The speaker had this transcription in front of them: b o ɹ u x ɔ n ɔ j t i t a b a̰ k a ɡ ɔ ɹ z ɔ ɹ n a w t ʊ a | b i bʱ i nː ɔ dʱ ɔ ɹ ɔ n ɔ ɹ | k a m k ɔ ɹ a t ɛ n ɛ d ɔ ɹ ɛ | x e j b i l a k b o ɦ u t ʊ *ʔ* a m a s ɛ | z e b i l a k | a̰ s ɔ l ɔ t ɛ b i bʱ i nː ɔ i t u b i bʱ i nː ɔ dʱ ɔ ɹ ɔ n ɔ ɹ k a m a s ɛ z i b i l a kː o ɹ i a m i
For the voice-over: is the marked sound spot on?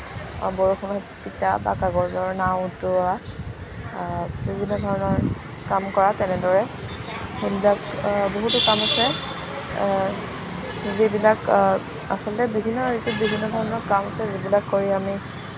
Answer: no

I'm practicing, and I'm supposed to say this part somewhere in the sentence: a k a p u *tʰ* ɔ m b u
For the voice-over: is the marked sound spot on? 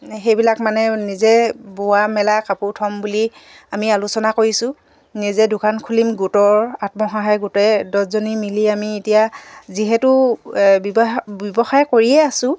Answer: yes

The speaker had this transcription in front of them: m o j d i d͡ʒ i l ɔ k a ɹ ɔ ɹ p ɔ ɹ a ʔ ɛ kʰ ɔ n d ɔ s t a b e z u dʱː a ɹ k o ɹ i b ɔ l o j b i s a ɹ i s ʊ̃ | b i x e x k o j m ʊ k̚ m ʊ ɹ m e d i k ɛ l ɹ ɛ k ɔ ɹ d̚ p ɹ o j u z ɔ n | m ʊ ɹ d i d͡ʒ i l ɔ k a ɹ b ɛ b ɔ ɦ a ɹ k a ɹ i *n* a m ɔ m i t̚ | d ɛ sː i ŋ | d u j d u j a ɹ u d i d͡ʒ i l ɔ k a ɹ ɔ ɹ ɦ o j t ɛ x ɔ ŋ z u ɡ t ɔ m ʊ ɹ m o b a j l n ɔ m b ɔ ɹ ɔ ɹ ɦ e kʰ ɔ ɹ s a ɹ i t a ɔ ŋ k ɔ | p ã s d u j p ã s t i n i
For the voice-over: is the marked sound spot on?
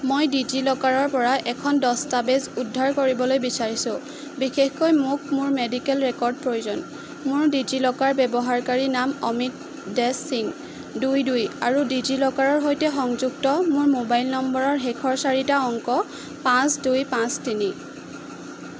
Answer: yes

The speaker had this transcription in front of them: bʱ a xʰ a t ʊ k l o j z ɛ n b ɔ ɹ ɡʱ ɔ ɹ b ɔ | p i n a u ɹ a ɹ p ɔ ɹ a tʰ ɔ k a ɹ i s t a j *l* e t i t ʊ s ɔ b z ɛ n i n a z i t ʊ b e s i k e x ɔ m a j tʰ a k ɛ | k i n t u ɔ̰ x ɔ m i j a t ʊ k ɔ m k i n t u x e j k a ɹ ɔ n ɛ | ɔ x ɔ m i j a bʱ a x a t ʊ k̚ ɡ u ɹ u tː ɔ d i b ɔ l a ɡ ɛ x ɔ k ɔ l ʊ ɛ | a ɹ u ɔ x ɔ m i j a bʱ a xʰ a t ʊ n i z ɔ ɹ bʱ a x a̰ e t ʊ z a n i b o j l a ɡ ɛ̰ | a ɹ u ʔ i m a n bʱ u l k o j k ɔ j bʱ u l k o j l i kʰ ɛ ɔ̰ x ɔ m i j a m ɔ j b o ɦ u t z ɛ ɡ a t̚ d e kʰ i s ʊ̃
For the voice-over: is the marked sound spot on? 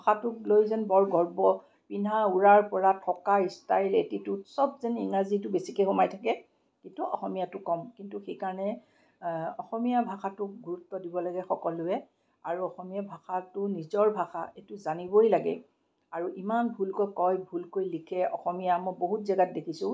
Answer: yes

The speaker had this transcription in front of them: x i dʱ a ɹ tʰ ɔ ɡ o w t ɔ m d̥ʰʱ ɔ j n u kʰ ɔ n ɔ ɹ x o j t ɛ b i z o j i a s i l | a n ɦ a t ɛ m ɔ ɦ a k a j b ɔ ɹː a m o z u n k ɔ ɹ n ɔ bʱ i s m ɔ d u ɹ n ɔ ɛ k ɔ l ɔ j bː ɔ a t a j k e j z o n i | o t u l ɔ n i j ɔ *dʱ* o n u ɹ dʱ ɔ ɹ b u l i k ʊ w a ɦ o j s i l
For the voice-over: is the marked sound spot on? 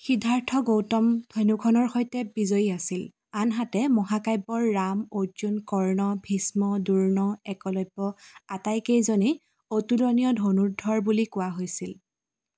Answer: yes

